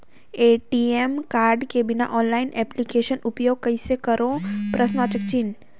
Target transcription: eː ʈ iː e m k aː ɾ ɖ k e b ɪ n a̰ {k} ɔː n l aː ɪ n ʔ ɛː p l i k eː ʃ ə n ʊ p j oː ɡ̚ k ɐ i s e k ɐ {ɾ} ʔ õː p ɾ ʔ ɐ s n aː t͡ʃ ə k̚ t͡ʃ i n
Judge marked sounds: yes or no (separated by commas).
no, yes